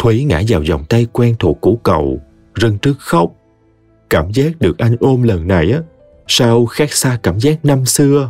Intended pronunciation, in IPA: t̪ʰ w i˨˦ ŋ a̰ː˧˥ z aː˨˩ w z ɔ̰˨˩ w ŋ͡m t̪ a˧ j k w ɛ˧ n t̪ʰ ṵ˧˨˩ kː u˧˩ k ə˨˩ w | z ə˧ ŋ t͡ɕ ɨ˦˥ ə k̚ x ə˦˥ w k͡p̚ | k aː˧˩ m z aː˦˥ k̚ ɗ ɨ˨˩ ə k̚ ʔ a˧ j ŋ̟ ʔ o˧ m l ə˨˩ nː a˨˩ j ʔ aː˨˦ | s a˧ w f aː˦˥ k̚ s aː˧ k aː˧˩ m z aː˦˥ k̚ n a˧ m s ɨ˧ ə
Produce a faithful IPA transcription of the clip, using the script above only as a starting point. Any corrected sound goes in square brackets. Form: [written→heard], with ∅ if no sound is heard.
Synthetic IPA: t̪ʰ w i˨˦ ŋ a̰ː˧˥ z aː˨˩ w z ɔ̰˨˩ w ŋ͡m t̪ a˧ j k w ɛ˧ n t̪ʰ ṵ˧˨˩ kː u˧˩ k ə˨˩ w | z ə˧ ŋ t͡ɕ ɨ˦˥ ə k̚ x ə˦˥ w k͡p̚ | k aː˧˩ m z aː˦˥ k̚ ɗ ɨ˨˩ ə k̚ ʔ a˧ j ŋ̟ ʔ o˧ m l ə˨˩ nː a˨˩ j ʔ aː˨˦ | s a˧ w [f→x] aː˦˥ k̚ s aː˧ k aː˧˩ m z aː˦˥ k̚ n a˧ m s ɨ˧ ə

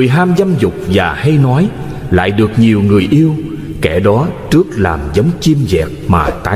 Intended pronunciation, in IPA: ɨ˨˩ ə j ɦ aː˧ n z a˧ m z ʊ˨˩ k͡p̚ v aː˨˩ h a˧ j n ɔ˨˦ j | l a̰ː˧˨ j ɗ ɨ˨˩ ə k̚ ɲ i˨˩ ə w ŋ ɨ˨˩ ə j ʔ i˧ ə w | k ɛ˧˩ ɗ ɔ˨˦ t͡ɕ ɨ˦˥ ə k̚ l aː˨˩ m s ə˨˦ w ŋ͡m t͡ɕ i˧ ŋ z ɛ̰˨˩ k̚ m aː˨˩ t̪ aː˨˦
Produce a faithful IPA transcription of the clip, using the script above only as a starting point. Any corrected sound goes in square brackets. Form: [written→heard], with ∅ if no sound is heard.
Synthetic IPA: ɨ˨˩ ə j ɦ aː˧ [n→m] z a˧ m z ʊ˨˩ k͡p̚ v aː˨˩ h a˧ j n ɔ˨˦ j | l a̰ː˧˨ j ɗ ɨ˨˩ ə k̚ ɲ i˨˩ ə w ŋ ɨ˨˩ ə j ʔ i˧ ə w | k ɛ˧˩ ɗ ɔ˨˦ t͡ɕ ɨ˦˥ ə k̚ l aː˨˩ m [s→z] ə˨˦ w ŋ͡m t͡ɕ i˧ [ŋ→m] z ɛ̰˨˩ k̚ m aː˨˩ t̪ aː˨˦

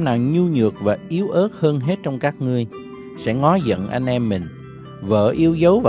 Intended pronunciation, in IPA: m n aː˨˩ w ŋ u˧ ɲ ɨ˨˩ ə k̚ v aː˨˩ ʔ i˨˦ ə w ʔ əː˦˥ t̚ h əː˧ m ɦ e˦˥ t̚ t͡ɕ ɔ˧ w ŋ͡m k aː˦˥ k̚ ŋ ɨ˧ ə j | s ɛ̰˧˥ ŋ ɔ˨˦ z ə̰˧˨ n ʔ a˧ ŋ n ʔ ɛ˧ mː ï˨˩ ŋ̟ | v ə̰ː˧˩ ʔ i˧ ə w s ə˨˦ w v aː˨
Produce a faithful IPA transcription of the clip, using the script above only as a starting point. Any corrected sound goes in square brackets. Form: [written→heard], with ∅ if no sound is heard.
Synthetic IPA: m n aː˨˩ w [ŋ→ɲ] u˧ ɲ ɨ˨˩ ə k̚ v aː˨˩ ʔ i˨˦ ə w ʔ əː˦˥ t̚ h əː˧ [m→n] ɦ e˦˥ t̚ t͡ɕ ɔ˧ w ŋ͡m k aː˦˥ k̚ ŋ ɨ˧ ə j | s ɛ̰˧˥ ŋ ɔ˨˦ z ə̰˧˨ n ʔ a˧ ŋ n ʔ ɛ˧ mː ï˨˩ ŋ̟ | v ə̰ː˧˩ ʔ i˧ ə w [s→z] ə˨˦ w v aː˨

